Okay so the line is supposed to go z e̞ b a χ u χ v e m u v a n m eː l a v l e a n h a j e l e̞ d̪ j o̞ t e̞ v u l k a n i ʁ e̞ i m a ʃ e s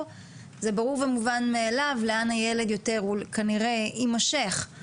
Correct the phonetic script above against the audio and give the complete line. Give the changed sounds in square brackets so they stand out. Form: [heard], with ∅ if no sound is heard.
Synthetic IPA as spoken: z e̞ b a [ʁ] u [ʁ] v e m u v a n m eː l a v l e a n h a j e l e̞ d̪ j o̞ t e̞ [ʁ] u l k a n i ʁ e̞ i m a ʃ e [χ]